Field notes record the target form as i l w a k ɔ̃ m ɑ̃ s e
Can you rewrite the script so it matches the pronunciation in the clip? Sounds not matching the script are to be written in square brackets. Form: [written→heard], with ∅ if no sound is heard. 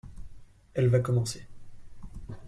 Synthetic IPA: [i→ɛ] l [w→v] a k [ɔ̃→ɔ] m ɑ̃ s e